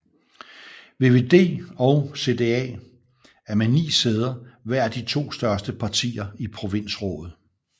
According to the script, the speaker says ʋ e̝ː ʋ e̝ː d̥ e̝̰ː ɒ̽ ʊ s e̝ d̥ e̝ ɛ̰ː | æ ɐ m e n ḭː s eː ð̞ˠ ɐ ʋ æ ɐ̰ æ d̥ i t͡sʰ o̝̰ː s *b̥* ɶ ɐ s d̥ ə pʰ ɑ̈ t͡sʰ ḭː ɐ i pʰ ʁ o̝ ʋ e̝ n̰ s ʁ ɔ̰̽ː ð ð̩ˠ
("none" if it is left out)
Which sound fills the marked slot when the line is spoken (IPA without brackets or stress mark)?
d̥